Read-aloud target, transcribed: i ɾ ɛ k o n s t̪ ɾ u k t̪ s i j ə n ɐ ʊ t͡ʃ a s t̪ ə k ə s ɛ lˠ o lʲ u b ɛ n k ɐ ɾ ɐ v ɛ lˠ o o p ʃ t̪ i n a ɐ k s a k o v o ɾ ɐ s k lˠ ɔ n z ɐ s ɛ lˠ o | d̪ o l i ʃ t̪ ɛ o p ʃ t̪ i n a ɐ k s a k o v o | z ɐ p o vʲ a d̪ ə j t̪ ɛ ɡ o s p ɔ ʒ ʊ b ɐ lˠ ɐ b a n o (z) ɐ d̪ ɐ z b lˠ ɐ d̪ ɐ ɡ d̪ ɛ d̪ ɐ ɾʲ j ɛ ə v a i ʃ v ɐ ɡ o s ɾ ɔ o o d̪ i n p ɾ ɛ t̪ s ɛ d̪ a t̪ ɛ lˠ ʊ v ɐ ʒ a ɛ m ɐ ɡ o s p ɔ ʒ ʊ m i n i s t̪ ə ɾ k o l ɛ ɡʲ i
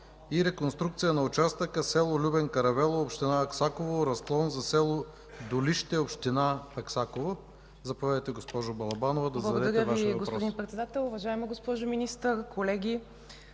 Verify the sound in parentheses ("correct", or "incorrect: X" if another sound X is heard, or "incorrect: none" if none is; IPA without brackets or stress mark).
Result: incorrect: v